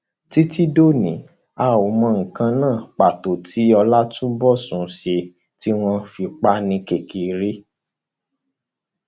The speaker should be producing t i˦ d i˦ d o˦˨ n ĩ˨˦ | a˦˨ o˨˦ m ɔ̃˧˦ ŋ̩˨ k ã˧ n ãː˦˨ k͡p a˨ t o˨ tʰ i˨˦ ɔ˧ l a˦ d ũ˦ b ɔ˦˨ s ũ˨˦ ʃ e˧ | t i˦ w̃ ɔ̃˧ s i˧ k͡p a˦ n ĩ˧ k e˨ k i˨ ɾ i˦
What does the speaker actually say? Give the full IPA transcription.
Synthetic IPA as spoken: t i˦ t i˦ d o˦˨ n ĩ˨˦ | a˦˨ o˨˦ m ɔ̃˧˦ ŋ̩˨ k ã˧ n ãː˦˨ k͡p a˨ t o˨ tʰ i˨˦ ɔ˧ l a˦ t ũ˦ b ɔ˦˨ s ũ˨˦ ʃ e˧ | t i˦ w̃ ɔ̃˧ f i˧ k͡p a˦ n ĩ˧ k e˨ k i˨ ɾ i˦